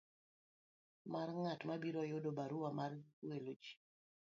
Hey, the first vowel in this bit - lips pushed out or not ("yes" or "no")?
no